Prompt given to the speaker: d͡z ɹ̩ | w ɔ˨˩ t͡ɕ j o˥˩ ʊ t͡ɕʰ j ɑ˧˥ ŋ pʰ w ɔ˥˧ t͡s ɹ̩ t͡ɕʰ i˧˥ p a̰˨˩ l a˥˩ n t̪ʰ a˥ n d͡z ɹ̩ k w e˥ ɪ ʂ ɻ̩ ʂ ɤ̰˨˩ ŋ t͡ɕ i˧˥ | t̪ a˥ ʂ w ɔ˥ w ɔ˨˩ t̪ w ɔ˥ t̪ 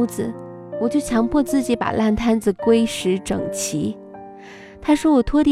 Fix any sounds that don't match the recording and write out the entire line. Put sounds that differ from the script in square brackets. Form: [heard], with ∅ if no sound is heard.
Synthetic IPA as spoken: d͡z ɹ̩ | w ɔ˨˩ t͡ɕ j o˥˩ ʊ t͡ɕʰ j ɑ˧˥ ŋ pʰ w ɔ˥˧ t͡s ɹ̩ [t͡ɕ] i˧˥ p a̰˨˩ l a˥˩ n t̪ʰ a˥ n d͡z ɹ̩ k w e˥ ɪ ʂ ɻ̩ [ʈ͡ʂ] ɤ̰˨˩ ŋ [t͡ɕʰ] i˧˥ | [t̪ʰ] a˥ ʂ w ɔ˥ w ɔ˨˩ [t̪ʰ] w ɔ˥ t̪